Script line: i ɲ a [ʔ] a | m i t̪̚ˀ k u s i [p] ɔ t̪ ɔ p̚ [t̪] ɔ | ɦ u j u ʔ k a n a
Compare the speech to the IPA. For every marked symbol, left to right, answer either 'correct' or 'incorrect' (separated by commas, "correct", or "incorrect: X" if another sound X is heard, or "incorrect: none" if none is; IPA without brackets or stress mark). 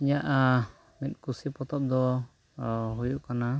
correct, correct, incorrect: d̪